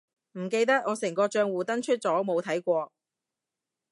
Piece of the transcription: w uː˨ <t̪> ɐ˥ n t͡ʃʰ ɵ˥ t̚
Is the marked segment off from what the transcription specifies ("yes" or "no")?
no